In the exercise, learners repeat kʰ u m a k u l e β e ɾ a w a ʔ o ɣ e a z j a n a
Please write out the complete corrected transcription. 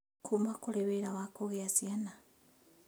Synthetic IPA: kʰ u m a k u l e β e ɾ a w a k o ɣ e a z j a n a